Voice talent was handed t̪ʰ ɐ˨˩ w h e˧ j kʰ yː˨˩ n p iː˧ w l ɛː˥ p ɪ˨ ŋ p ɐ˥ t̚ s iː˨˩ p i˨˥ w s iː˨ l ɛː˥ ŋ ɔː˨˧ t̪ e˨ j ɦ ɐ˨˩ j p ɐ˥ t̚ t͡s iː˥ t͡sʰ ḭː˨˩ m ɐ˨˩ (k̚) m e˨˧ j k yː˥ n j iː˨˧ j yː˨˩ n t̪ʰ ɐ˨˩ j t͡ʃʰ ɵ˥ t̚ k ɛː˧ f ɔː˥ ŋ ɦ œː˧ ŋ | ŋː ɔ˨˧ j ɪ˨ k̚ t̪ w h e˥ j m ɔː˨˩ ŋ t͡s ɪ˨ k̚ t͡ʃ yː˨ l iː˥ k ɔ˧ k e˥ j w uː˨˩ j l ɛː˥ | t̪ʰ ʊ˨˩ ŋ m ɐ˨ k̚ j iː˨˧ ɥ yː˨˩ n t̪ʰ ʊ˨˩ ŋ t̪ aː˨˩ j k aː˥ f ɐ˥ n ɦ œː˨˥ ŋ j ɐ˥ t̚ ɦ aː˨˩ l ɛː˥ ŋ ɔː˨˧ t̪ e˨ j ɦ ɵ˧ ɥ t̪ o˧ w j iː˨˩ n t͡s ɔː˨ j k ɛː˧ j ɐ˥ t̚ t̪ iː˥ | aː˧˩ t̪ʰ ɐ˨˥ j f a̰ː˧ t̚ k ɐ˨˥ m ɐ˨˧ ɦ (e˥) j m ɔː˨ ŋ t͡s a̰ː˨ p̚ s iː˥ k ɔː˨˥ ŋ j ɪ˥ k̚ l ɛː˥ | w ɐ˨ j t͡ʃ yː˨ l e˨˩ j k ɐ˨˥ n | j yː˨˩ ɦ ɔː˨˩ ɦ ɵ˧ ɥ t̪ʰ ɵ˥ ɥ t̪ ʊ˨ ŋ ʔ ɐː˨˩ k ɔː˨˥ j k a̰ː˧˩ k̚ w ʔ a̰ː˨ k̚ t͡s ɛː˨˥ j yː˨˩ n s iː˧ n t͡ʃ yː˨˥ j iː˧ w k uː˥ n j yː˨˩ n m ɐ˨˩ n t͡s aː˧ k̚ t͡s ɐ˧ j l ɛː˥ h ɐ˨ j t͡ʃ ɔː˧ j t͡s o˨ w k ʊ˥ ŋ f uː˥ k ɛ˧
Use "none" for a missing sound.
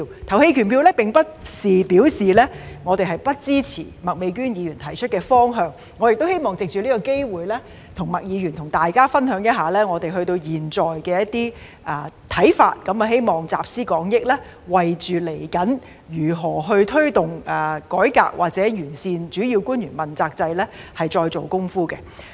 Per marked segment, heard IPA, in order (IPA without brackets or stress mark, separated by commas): k̚, e˥